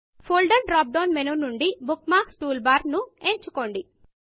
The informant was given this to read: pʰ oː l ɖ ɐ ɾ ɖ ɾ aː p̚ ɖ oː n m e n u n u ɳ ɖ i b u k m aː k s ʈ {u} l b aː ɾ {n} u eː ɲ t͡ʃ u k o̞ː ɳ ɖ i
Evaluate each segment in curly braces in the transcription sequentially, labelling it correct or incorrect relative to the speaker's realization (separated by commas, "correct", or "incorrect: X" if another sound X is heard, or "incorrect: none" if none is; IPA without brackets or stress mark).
incorrect: uː, correct